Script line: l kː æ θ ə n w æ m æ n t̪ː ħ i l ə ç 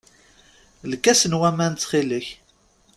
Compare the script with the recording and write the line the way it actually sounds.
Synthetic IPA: l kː æ s ə n w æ m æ n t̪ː χ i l ə ç